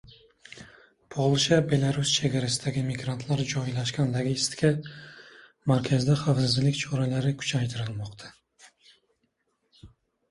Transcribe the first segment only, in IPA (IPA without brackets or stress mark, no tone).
pʰ